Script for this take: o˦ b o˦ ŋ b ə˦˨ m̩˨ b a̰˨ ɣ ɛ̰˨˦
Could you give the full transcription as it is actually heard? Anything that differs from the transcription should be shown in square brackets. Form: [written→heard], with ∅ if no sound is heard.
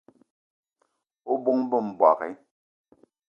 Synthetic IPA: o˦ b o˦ ŋ b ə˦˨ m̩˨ b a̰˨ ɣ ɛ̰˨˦